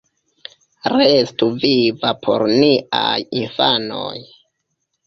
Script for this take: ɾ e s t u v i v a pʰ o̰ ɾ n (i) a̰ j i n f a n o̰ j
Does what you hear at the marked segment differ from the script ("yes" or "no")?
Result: no